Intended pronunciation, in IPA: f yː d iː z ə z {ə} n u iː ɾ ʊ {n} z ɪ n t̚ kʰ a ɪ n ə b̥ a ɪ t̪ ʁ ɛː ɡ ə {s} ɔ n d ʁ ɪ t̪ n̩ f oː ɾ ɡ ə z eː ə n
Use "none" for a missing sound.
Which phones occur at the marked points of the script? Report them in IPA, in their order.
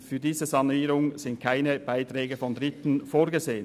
ɑ, ŋ, f

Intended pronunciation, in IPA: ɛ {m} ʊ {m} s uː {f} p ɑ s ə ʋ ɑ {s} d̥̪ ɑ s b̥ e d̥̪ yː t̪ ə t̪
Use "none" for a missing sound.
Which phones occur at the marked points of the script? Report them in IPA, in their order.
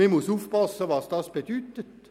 m, none, f, s

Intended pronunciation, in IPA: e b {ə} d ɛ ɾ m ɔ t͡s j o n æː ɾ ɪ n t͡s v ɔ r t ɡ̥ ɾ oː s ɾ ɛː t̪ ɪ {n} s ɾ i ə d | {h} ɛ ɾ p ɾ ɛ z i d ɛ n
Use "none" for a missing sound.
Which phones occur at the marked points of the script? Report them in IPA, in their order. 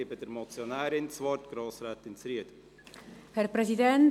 ə, n, h

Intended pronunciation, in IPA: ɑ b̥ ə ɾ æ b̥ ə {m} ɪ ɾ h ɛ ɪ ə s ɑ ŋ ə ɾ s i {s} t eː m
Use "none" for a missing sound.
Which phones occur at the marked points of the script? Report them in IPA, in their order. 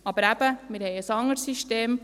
m, ʃ

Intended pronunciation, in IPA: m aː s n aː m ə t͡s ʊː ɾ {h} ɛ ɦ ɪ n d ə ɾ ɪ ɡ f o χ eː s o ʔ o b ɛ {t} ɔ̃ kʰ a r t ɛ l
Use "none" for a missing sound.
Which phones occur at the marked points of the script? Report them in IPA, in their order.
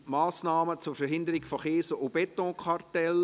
f, t

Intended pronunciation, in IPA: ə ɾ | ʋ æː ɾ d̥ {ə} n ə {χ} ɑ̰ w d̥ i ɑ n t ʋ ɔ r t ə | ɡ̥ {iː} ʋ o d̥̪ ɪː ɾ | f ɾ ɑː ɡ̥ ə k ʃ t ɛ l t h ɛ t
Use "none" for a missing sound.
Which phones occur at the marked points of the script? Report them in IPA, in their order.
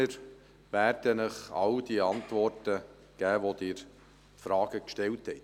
ə, χ, æː

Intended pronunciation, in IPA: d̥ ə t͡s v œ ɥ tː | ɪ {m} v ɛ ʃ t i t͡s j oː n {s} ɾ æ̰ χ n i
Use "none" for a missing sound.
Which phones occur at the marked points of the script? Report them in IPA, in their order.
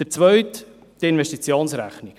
n, s

